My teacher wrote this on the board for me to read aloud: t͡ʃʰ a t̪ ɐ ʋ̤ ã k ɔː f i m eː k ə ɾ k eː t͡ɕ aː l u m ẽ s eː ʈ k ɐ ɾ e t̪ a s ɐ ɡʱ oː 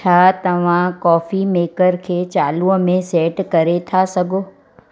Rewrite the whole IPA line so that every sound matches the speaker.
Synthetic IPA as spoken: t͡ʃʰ a t̪ ɐ ʋ̤ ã k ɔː f i m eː k ə ɾ kʰ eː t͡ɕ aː l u m ẽ s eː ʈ k ɐ ɾ e t̪ʰ a s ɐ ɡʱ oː